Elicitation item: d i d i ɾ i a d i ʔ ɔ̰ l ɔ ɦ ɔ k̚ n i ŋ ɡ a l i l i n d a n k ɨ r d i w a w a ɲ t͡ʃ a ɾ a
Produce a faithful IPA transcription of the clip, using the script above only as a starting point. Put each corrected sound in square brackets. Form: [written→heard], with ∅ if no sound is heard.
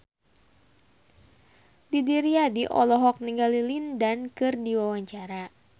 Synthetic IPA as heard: d i d i ɾ i a d i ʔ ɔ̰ l ɔ ɦ ɔ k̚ n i ŋ ɡ a l i l i n d a n k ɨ r d i w a w a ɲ t͡ʃ a ɾ a

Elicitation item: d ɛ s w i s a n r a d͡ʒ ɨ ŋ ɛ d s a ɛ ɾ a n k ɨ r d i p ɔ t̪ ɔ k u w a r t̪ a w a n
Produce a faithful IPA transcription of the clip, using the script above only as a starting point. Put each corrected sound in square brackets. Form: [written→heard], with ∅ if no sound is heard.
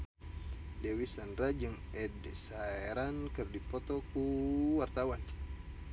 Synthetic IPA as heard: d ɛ [s→∅] w i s a n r a d͡ʒ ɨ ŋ ɛ d s a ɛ ɾ a n k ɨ r d i p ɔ t̪ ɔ k u w a r t̪ a w a n

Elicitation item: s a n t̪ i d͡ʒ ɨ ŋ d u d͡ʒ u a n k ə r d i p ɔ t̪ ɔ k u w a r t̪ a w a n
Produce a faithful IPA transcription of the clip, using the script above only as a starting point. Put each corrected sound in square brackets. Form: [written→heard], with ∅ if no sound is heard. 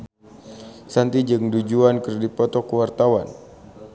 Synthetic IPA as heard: s a n t̪ i d͡ʒ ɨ ŋ d u d͡ʒ u a n k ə r d i p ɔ t̪ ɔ k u w a r t̪ a w a n

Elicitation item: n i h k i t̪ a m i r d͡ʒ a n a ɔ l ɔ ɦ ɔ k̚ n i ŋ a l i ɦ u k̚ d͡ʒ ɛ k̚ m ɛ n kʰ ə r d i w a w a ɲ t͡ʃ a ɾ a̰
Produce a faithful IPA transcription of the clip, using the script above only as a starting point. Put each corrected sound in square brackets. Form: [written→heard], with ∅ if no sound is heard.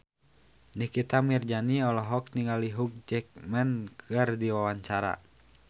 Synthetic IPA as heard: n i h k i t̪ a m i r d͡ʒ a n [a→i] ɔ l ɔ ɦ ɔ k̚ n i ŋ a l i ɦ u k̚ d͡ʒ ɛ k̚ m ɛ n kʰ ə r d i w a w a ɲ t͡ʃ a ɾ a̰

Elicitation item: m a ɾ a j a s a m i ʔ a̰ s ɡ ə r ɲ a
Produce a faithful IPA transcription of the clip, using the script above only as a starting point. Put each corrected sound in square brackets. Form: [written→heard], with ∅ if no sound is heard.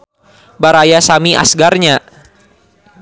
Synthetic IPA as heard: [m→b] a ɾ a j a s a m i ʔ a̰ s ɡ [ə→a] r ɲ a

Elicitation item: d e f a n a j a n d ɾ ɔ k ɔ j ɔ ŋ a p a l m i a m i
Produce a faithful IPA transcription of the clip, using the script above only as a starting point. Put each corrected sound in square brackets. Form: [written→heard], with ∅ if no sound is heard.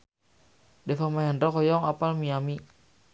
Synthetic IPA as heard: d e f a [n→m] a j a n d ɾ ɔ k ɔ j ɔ ŋ a p a l m i a m i

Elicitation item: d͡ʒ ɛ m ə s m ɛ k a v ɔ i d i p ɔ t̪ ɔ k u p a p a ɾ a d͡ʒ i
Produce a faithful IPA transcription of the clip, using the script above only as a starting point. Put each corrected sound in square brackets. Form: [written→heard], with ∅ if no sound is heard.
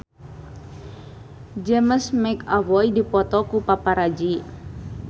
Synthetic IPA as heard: d͡ʒ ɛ m ə s m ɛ k a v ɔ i d i p ɔ t̪ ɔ k u p a p a ɾ a d͡ʒ i

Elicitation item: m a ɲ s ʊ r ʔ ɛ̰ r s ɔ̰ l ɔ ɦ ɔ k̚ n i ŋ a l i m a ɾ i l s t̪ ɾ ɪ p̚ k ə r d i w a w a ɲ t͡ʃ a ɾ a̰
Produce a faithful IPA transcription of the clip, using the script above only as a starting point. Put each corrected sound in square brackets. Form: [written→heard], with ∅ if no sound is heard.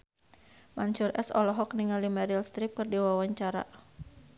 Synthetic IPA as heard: m a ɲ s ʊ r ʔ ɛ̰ [r→∅] s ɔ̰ l ɔ ɦ ɔ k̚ n i ŋ a l i m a ɾ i l s t̪ ɾ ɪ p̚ k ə r d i w a w a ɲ t͡ʃ a ɾ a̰

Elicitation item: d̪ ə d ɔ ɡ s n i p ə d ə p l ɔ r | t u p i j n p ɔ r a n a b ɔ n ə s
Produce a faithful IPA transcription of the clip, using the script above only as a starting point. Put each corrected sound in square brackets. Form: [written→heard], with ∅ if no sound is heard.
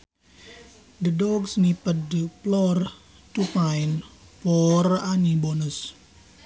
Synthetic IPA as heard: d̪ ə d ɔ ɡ s n i p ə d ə p l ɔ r | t u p [i→a] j n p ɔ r a n [a→i] b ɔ n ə s

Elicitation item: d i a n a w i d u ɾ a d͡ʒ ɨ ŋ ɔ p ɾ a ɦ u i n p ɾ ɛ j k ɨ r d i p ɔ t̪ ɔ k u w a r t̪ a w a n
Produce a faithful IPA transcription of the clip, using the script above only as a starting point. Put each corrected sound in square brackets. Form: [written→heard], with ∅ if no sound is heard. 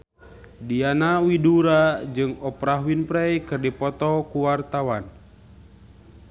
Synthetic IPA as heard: d i a n a w i d u ɾ a d͡ʒ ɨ ŋ ɔ p ɾ a ɦ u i n p ɾ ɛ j k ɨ r d i p ɔ t̪ ɔ k u w a r t̪ a w a n

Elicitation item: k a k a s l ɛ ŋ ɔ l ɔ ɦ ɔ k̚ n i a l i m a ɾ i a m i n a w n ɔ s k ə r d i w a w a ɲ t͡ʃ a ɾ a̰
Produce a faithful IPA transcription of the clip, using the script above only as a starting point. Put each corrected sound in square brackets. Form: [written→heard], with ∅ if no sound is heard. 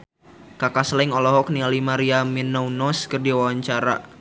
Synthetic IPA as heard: k a k a s l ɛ ŋ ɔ l ɔ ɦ ɔ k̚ n i a l i m a ɾ i a m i n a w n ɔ s k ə r d i w a w a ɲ t͡ʃ a ɾ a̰

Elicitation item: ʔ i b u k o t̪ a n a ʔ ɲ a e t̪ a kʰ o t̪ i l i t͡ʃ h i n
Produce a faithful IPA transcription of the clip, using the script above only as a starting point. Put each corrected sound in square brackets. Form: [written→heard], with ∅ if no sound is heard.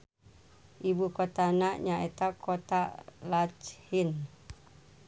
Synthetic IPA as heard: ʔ i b u k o t̪ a n a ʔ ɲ a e t̪ a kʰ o t̪ [i→a] l [i→a] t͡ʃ h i n

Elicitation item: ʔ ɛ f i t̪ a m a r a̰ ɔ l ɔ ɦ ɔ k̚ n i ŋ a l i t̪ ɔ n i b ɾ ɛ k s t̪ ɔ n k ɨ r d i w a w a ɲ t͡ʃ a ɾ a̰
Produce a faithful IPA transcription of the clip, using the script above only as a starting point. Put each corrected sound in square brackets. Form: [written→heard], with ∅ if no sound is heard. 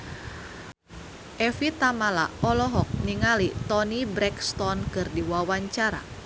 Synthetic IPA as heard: ʔ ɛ f i t̪ a m a [r→l] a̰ ɔ l ɔ ɦ ɔ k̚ n i ŋ a l i t̪ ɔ n i b ɾ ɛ k s t̪ ɔ n k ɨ r d i w a w a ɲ t͡ʃ a ɾ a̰

